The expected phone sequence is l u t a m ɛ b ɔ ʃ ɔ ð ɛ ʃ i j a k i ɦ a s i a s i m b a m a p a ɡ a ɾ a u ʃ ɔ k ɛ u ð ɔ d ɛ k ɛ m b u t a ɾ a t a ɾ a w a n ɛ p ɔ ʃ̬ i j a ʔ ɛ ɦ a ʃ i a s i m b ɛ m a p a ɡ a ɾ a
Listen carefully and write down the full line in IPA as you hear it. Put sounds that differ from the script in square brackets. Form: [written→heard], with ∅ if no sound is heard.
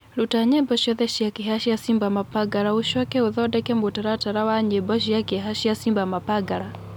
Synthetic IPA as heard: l u t a [m→ɲ] ɛ b ɔ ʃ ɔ ð ɛ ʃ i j a k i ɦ a [s→ʃ] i a s i m b a m a p a ɡ a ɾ a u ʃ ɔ k ɛ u ð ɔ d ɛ k ɛ m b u t a ɾ a t a ɾ a w a [n→ɲ] ɛ [p→b] ɔ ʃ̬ i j a [ʔ→k] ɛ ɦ a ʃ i a s i m b [ɛ→a] m a p a ɡ a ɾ a